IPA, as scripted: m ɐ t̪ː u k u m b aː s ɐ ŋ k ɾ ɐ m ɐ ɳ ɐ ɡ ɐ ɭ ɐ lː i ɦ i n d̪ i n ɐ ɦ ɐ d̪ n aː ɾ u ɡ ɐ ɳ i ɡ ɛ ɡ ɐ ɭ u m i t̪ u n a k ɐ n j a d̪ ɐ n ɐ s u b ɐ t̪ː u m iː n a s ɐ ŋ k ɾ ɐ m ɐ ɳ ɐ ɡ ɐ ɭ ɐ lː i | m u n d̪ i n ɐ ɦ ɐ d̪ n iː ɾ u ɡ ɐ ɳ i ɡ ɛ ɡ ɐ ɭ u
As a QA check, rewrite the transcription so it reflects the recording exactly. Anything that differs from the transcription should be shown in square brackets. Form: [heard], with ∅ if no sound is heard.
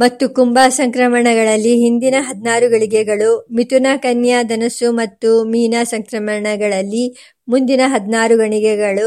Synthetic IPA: m ɐ t̪ː u k u m b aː s ɐ ŋ k ɾ ɐ m ɐ ɳ ɐ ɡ ɐ ɭ ɐ lː i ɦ i n d̪ i n ɐ ɦ ɐ d̪ n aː ɾ u ɡ ɐ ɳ i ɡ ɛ ɡ ɐ ɭ u m i t̪ u n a k ɐ n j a d̪ ɐ n ɐ s u [m] ɐ t̪ː u m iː n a s ɐ ŋ k ɾ ɐ m ɐ ɳ ɐ ɡ ɐ ɭ ɐ lː i | m u n d̪ i n ɐ ɦ ɐ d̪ n [aː] ɾ u ɡ ɐ ɳ i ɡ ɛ ɡ ɐ ɭ u